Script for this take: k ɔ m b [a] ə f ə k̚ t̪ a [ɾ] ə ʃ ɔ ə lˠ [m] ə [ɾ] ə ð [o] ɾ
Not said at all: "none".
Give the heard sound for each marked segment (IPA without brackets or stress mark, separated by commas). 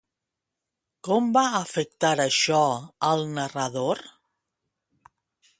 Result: a, ɾ, n, r, o